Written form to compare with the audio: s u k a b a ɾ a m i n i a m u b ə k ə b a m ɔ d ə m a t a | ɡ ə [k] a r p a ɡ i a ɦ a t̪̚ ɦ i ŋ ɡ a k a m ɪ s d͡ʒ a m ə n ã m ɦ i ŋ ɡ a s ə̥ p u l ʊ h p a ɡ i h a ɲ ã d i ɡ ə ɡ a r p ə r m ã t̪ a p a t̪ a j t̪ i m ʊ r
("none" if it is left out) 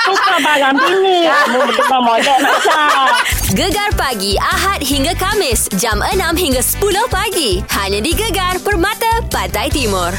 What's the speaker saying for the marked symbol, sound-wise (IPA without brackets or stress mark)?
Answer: ɡ